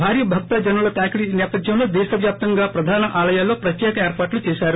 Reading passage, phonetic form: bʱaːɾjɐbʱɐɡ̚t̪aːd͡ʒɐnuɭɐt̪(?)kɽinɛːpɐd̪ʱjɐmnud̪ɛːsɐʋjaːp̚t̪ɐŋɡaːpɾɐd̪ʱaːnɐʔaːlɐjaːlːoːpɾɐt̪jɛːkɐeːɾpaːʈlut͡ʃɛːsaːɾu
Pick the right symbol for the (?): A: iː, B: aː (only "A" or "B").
B